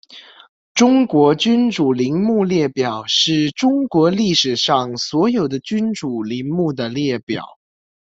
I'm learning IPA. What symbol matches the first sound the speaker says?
ʈ͡ʂ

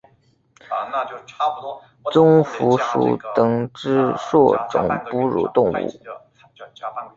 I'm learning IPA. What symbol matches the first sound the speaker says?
t͡s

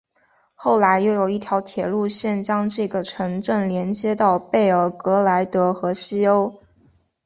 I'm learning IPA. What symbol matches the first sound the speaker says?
x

